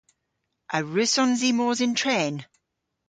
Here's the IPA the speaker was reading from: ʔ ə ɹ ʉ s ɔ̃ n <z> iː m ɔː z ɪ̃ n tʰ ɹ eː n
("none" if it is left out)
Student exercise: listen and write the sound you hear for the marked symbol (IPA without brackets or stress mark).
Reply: z